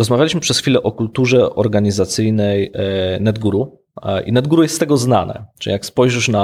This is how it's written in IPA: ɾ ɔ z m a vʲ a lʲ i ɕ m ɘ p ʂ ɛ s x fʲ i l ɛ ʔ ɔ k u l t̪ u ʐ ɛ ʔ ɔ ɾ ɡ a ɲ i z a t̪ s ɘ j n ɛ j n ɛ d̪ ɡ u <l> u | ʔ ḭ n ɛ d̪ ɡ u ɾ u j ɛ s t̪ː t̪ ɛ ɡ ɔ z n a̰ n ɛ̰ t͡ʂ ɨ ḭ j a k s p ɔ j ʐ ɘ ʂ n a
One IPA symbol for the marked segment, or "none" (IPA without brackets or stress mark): ɾ